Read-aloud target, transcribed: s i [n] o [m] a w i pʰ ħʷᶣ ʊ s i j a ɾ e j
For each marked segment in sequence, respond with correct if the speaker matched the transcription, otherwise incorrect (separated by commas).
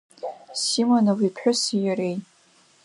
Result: incorrect, incorrect